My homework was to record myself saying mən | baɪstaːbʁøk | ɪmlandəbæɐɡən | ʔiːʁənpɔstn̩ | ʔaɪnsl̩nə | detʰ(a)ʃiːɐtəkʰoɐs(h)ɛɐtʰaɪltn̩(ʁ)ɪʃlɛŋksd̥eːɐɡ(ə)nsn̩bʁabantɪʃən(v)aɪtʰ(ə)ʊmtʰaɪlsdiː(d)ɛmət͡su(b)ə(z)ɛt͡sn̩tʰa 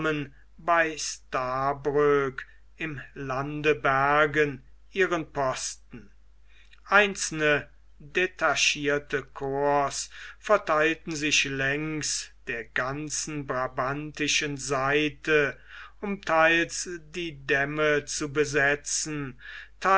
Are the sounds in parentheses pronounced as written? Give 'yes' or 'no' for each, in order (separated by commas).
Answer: yes, no, no, no, no, yes, yes, yes, yes